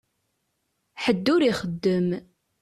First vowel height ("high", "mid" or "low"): mid